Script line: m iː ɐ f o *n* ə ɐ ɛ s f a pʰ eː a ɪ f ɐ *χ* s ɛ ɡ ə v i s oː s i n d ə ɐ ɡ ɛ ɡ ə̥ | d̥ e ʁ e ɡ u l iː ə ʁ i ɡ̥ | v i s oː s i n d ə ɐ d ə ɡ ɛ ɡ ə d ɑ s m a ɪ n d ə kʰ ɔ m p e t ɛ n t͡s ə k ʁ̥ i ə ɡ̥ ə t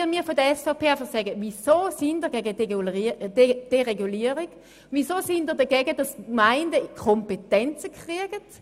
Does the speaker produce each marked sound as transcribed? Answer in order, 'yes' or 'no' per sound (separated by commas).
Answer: no, yes